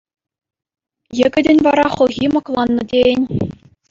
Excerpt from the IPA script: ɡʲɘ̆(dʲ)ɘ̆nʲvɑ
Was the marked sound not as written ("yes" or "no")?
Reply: no